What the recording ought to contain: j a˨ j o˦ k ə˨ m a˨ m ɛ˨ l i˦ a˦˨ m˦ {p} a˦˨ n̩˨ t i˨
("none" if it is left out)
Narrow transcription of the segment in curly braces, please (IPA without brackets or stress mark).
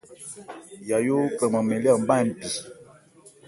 b